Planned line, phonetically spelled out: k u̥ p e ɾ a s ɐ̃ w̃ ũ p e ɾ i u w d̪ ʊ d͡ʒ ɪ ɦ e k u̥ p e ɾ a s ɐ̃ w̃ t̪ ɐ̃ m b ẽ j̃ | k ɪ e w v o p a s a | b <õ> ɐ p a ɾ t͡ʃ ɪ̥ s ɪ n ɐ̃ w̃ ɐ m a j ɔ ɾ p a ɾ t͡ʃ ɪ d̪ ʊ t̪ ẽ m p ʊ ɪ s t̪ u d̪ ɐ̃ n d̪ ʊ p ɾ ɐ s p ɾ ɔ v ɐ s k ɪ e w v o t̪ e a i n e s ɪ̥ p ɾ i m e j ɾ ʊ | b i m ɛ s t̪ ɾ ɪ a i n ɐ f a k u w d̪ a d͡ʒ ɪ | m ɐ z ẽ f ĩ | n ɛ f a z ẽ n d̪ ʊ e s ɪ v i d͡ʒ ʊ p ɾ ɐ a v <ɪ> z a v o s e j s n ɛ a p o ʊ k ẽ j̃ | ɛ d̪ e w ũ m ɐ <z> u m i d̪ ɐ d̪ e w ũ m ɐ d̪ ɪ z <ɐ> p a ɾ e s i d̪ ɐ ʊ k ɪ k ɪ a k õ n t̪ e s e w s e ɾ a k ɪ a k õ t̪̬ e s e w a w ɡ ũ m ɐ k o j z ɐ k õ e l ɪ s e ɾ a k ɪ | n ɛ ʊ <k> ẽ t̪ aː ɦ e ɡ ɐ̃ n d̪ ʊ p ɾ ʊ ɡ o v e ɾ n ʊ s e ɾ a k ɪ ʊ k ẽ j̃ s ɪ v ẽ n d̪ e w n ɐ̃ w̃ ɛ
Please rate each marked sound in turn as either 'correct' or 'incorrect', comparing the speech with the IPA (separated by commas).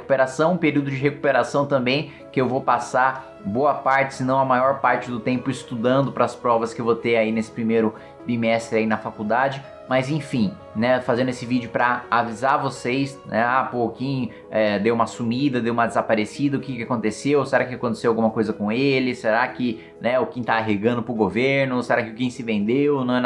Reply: incorrect, incorrect, incorrect, incorrect, correct